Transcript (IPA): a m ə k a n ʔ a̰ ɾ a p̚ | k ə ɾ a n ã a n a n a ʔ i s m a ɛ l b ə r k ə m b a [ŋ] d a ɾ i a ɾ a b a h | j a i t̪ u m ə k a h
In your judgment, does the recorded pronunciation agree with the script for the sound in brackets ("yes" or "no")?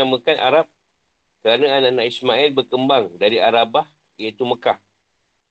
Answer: yes